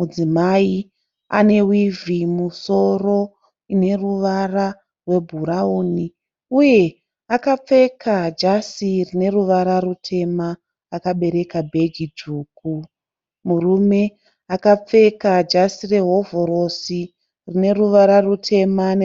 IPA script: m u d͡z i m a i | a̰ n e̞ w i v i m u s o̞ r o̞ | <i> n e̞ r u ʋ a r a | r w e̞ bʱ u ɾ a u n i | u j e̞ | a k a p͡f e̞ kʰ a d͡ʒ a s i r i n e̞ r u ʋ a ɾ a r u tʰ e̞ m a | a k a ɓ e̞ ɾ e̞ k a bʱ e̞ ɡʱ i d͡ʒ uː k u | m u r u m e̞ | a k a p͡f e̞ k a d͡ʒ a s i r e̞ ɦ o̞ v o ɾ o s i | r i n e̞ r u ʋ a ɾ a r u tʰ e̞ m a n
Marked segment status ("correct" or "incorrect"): correct